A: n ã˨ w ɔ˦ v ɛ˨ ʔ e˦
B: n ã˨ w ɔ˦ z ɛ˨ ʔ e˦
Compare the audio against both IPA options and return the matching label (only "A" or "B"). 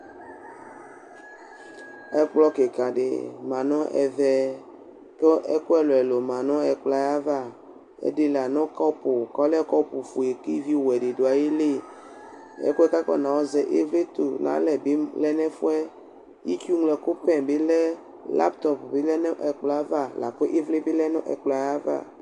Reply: B